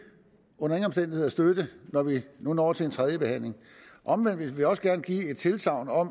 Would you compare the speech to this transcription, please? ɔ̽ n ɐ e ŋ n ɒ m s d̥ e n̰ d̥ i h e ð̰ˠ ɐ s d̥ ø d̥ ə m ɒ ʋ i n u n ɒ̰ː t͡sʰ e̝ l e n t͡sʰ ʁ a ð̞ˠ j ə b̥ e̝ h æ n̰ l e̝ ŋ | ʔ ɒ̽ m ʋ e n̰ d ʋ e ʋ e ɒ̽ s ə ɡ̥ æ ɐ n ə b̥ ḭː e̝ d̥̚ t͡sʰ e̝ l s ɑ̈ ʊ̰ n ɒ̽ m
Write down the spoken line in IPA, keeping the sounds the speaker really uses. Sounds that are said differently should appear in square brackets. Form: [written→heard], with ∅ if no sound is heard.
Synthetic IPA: ɔ̽ n ɐ e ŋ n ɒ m s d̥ e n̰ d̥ i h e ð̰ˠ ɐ s d̥ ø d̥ ə [m→n] ɒ ʋ i n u n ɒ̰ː t͡sʰ e̝ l e n t͡sʰ ʁ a ð̞ˠ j ə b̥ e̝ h æ n̰ l e̝ ŋ | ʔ ɒ̽ m ʋ e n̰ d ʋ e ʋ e ɒ̽ s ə ɡ̥ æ ɐ n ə [b̥→ɡ̥] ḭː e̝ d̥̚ t͡sʰ e̝ l s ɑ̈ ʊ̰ n ɒ̽ m